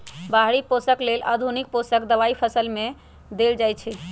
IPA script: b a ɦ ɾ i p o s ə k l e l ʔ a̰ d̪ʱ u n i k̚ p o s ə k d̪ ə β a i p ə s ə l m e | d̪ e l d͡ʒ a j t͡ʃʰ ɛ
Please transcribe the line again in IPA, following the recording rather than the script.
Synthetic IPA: b a ɦ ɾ i p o s ə k l e l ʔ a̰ d̪ʱ u n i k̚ p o s ə k d̪ ə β a i pʰ ə s ə l m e | d̪ e l d͡ʒ a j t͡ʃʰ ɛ

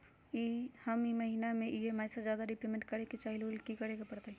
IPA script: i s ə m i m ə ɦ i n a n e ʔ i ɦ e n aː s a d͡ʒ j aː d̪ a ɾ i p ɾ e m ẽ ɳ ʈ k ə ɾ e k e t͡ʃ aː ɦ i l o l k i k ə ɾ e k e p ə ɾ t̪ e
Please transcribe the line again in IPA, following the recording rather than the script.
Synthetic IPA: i h ə m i m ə ɦ i n a m e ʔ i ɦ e m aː s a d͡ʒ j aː d̪ a ɾ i p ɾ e m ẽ ɳ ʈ k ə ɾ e k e t͡ʃ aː ɦ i l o l k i k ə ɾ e k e p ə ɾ t̪ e

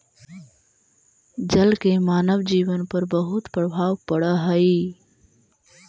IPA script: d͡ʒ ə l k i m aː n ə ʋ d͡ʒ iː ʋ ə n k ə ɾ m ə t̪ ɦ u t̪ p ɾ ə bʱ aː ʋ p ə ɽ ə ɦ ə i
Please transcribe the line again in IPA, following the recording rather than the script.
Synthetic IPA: d͡ʒ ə l k e m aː n ə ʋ d͡ʒ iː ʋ ə n p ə ɾ b ə ɦ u t̪ p ɾ ə bʱ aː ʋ p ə ɽ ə ɦ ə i

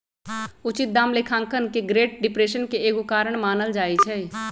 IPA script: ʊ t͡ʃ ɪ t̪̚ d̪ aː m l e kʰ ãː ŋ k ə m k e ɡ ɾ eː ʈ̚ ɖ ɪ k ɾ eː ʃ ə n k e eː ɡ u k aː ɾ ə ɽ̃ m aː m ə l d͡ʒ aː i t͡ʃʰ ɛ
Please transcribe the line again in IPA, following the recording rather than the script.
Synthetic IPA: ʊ t͡ʃ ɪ t̪̚ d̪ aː m l e kʰ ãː ŋ k ə n k e ɡ ɾ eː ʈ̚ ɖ ɪ p ɾ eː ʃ ə n k e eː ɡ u k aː ɾ ə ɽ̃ m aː n ə l d͡ʒ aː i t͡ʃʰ ɛ

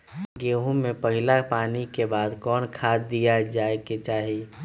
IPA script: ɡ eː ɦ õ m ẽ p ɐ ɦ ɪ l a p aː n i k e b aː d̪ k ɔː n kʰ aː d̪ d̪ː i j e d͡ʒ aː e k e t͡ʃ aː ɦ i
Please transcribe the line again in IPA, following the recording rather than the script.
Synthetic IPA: ɡ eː ɦ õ m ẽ p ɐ ɦ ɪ l a p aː n i k e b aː d̪ k ɔː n kʰ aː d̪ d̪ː i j a d͡ʒ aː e k e t͡ʃ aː ɦ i

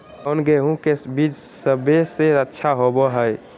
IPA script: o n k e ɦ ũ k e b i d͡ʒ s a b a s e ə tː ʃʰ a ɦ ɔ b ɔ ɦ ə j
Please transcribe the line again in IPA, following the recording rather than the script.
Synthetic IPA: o n ɡ e ɦ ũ k e b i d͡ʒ s ə b e s e ə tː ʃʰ a ɦ o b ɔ ɦ ə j

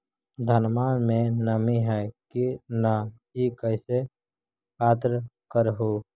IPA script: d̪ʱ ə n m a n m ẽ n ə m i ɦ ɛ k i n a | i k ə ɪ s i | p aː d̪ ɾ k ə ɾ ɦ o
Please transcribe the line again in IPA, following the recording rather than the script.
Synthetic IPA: d̪ʱ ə n m a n m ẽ n ə m i ɦ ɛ k i n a | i k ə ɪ s e | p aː t̪ ɾ k ə ɾ ɦ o

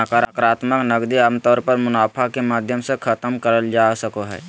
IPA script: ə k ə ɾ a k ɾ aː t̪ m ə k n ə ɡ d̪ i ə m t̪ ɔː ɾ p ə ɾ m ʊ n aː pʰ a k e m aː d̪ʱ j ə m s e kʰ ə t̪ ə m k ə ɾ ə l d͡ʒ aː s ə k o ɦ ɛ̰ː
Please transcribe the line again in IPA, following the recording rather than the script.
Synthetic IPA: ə k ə ɾ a k ɾ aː t̪ m ə k n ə ɡ d̪ i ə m t̪ ɔː ɾ p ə ɾ m ʊ n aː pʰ a k e m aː d̪ʱ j ə m s e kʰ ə t̪ ə m k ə ɾ ə l d͡ʒ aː s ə k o ɦ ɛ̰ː

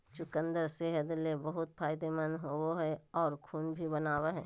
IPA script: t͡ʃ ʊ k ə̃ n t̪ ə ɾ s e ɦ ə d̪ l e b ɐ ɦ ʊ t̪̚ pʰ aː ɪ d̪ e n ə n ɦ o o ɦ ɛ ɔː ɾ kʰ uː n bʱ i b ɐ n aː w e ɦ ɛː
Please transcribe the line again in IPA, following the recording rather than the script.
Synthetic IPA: t͡ʃ ʊ k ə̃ n d̪ ə ɾ s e ɦ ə d̪ l e b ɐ ɦ ʊ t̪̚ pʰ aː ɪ d̪ e m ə n ɦ o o ɦ ɛ ɔː ɾ kʰ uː n bʱ i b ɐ n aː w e ɦ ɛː

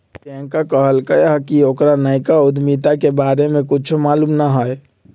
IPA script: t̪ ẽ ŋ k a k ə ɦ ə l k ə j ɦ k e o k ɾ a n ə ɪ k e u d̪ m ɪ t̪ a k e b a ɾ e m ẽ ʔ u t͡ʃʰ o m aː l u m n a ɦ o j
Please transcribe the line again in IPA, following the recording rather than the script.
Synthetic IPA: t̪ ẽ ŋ k a k ə ɦ ə l k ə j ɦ k i o k ɾ a n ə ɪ k a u d̪ m i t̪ a k e b a ɾ e m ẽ k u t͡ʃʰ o m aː l u m n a ɦ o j

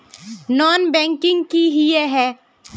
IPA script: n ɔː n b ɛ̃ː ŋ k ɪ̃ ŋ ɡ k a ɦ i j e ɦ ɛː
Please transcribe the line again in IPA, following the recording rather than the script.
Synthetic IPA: n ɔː n b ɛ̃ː ŋ k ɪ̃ ŋ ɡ k i ɦ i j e ɦ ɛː

